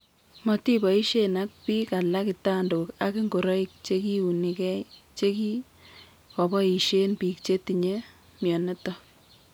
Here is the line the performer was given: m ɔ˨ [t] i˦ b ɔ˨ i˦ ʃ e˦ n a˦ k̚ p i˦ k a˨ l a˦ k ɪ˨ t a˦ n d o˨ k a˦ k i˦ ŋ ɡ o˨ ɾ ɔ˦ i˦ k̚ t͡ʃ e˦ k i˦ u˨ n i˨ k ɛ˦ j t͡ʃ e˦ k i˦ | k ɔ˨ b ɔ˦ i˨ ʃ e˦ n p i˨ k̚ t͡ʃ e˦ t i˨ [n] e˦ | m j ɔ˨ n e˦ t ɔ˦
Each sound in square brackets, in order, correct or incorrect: correct, incorrect: ɲ

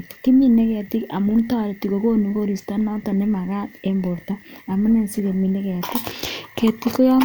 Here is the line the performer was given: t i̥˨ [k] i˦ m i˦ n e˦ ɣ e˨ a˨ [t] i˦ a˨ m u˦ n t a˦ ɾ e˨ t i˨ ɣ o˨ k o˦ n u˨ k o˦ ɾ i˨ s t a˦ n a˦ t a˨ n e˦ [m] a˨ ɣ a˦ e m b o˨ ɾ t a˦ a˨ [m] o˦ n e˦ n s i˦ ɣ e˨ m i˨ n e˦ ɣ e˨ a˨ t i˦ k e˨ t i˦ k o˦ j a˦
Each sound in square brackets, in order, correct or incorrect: correct, correct, correct, correct

